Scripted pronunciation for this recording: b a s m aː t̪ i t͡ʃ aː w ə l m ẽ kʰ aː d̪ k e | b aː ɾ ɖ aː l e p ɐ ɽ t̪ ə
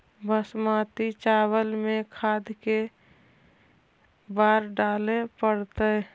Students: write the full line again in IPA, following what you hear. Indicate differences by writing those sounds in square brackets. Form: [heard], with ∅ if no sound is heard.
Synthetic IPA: b [ə] s m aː t̪ i t͡ʃ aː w ə l m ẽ kʰ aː d̪ k e | b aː ɾ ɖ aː l e p [ə] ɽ t̪ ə